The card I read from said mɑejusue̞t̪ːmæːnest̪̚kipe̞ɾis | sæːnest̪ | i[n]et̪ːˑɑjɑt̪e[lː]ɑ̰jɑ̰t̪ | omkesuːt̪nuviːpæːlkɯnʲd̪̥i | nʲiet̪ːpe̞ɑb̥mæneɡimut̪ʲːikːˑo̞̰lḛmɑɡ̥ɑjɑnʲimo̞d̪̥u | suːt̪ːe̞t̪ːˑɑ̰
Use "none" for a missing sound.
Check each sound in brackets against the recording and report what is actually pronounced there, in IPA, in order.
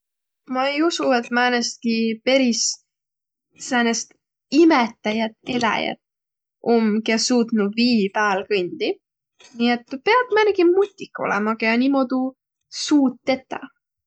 m, l

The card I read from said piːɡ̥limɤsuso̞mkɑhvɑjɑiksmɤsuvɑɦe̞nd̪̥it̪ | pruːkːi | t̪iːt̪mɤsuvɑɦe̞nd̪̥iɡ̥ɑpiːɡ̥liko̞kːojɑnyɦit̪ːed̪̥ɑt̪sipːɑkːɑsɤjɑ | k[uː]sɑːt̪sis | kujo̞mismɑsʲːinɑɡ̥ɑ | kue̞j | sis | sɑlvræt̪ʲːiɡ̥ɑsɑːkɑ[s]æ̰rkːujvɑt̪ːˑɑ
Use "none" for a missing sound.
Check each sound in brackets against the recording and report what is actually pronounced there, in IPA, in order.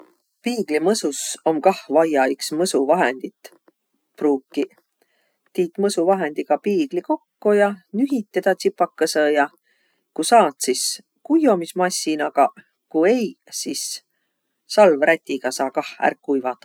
u, h

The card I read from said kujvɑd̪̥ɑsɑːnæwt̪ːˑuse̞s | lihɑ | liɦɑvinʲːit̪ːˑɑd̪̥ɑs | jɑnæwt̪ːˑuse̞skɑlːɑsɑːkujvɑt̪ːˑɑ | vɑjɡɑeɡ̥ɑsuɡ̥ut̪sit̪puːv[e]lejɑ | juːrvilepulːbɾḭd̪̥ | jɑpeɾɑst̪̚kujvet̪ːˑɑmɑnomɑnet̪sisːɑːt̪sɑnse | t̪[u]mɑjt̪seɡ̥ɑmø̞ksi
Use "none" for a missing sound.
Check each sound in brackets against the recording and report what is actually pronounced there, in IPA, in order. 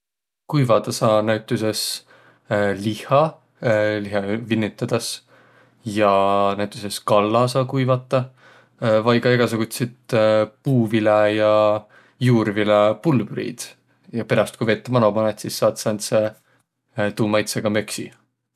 i, uː

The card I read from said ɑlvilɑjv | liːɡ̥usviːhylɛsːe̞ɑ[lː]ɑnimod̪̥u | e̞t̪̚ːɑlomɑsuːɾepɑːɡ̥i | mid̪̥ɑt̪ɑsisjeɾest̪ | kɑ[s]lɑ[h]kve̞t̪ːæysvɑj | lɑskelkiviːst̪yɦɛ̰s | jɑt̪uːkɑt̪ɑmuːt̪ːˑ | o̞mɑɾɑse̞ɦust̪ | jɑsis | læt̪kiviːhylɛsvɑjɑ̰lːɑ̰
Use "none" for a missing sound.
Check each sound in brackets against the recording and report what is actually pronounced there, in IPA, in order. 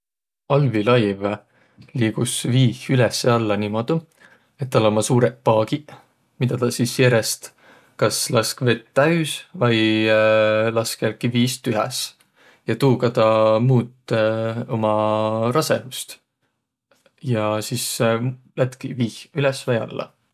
lː, s, s

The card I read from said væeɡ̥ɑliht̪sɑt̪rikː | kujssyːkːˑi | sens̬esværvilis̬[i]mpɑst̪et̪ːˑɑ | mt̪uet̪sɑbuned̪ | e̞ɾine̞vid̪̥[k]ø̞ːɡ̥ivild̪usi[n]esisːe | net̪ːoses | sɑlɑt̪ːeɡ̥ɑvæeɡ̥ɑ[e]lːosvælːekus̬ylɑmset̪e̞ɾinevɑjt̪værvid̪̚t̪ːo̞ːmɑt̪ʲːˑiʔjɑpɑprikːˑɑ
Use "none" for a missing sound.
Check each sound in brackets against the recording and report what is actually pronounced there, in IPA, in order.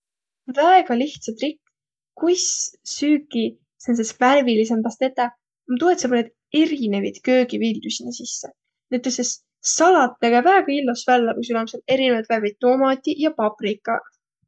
e, k, n, i

